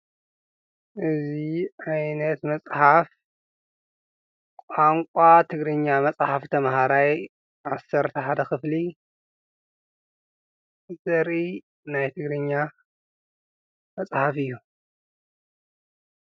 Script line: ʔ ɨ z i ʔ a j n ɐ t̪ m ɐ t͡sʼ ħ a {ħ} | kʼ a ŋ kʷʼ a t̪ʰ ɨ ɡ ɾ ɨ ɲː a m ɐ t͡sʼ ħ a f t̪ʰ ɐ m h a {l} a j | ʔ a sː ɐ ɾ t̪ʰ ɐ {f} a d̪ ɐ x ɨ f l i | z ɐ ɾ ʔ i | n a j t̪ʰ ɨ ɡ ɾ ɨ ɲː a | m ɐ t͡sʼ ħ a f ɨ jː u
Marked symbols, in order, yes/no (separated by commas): no, no, no